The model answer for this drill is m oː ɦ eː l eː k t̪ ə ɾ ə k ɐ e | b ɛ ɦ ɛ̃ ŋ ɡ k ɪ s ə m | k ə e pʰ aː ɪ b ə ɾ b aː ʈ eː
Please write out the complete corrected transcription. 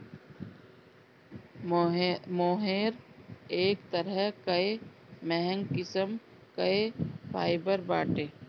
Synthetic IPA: m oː ɦ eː ɾ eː k t̪ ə ɾ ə k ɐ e | m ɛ ɦ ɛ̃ ŋ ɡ k ɪ s ə m | k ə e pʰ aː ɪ b ə ɾ b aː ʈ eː